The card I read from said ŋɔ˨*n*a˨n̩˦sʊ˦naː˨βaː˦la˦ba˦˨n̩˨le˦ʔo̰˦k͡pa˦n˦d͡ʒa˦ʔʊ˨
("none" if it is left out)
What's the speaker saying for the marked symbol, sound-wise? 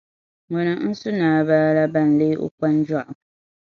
n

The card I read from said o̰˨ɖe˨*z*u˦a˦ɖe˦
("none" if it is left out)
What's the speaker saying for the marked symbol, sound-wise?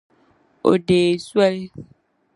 s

